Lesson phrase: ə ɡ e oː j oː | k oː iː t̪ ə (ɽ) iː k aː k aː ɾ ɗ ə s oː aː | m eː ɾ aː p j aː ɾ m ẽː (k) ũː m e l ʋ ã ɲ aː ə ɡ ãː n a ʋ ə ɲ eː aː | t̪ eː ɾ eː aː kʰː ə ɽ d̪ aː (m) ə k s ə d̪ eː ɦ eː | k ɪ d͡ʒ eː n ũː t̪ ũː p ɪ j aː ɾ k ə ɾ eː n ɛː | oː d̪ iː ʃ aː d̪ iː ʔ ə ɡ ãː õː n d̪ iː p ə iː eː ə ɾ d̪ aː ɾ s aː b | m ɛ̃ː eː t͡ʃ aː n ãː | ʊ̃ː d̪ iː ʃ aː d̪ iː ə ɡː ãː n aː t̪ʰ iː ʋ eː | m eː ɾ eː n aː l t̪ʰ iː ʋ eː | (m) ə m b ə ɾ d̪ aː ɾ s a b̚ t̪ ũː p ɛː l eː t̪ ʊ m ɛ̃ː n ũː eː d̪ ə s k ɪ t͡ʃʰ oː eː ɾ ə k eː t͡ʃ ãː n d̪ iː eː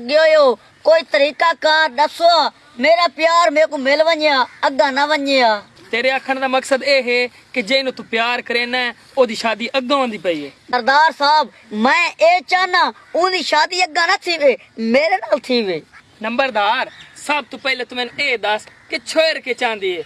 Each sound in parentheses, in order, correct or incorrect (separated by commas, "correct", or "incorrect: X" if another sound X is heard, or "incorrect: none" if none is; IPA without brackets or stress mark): incorrect: ɾ, correct, correct, incorrect: n